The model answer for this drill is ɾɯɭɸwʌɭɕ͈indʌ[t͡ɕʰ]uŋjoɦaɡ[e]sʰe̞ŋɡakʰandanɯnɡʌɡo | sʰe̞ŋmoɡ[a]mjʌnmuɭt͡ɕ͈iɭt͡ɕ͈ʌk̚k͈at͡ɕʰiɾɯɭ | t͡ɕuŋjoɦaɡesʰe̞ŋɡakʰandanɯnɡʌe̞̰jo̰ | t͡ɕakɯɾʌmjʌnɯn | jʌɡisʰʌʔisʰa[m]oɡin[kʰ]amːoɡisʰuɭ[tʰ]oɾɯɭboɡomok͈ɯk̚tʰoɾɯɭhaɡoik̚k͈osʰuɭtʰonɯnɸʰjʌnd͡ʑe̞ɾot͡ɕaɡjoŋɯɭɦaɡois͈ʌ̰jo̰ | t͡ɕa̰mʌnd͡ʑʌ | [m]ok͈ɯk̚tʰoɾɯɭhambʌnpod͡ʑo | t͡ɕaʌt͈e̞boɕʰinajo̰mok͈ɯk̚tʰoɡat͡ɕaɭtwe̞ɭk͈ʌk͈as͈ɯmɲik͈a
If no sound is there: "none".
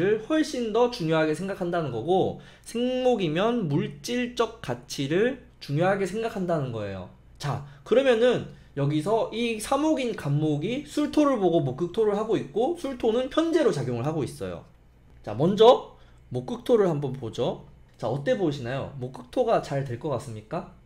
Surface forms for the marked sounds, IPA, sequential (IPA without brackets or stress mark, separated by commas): t͡ɕ, e, i, m, k, tʰ, m